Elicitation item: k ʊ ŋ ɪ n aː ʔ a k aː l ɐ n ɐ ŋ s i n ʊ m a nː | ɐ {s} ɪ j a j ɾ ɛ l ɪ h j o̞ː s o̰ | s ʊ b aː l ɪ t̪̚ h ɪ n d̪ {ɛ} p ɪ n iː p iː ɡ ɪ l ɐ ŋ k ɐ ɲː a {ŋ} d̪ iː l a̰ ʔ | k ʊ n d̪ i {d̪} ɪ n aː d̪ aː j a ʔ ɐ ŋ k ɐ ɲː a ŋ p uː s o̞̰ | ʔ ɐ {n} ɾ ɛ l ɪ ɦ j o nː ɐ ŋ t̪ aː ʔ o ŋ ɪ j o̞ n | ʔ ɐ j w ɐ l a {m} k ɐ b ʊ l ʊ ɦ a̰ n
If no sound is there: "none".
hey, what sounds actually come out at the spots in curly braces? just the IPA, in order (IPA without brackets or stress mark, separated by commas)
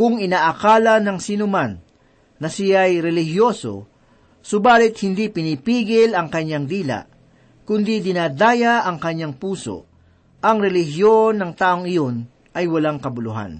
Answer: s, i, ŋ, d̪, ŋ, ŋ